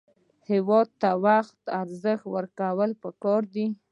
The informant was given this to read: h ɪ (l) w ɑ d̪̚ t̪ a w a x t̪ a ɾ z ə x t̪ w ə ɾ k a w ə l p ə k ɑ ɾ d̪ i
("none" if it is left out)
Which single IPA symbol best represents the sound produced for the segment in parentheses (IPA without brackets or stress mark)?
none